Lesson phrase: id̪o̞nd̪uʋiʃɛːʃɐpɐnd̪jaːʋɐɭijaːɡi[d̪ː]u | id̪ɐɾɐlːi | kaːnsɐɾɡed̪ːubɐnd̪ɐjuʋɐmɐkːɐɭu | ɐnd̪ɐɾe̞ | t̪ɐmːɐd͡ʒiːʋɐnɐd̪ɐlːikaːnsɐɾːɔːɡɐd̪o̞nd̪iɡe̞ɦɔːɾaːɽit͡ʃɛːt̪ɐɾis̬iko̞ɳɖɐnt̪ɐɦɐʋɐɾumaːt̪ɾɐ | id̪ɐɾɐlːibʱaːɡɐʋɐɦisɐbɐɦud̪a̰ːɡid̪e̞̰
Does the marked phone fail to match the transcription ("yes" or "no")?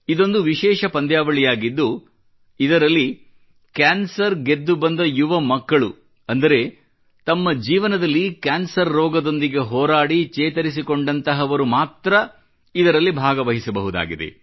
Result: no